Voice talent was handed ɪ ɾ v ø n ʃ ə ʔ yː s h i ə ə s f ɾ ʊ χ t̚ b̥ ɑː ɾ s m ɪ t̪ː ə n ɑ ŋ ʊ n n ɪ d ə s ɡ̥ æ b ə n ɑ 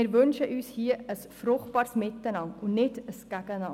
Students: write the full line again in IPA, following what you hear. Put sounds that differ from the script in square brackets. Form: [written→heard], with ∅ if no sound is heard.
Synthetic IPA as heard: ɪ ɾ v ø n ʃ ə ʔ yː s h i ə ə s f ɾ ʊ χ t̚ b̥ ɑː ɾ s m ɪ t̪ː ə n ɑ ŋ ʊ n n ɪ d ə s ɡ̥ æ [b→ɡ] ə n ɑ